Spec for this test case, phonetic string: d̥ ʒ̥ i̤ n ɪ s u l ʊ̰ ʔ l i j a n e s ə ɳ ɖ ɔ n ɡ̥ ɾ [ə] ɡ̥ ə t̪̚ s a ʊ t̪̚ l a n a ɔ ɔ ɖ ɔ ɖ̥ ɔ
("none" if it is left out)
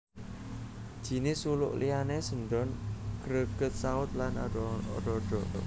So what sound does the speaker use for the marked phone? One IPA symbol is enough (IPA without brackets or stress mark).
ə